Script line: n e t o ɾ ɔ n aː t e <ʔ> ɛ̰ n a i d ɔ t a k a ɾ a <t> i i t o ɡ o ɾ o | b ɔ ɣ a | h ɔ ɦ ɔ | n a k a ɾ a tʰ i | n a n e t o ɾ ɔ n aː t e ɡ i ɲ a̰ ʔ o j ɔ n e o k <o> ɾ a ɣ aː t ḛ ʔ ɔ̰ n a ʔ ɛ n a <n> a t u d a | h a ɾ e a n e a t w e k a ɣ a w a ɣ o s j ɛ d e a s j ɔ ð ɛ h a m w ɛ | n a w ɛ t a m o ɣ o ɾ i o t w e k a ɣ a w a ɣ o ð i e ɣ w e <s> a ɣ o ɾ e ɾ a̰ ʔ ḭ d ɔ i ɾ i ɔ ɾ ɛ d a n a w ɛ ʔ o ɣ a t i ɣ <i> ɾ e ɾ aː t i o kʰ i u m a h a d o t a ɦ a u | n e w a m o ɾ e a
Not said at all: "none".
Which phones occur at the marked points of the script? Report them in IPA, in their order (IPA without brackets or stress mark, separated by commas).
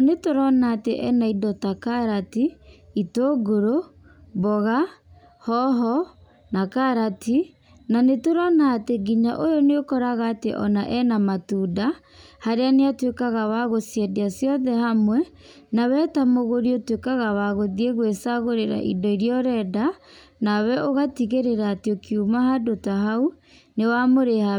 ʔ, t, ɔ, m, s, e